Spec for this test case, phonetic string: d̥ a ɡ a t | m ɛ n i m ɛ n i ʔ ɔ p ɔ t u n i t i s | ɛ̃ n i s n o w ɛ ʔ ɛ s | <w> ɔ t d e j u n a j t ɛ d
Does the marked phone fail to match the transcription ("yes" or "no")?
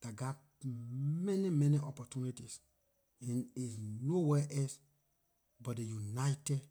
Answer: yes